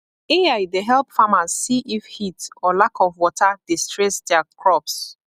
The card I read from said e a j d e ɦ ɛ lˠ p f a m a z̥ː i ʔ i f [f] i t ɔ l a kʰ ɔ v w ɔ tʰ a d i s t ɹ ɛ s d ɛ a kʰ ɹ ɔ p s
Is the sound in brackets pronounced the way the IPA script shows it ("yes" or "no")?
no